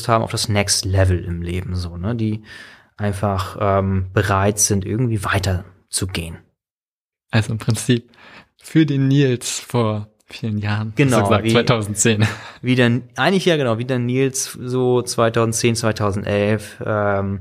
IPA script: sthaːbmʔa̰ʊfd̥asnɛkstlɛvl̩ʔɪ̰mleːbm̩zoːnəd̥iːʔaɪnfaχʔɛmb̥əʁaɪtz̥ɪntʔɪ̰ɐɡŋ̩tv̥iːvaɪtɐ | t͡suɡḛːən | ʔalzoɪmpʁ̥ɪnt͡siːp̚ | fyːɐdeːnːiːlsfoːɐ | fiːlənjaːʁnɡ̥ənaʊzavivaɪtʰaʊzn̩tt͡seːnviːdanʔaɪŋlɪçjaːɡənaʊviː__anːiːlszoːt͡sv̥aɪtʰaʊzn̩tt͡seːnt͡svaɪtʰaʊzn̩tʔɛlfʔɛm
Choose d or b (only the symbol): d